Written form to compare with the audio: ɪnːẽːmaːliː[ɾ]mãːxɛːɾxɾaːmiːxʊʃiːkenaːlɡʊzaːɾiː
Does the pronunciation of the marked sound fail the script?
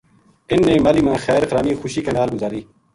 yes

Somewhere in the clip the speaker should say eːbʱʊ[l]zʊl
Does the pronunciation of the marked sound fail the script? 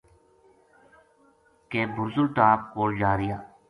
yes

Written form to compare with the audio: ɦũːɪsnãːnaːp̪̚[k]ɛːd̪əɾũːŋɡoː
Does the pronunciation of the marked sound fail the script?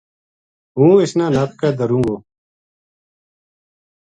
no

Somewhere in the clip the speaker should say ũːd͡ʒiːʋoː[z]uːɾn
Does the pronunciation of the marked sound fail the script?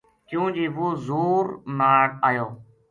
no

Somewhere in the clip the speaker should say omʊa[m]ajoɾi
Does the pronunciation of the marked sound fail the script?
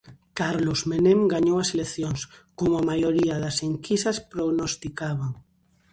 no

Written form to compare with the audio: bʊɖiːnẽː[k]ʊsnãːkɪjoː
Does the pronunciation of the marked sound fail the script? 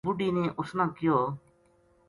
yes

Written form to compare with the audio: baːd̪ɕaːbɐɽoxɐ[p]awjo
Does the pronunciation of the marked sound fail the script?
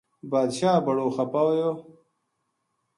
no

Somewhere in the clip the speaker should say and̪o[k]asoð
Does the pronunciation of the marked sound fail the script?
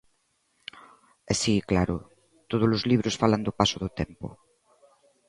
yes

